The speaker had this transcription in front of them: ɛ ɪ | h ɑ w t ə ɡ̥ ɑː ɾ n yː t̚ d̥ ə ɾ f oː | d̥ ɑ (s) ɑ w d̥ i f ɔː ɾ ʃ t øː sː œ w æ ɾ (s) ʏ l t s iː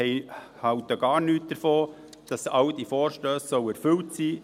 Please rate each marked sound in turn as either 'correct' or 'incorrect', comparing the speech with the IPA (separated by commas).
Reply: correct, incorrect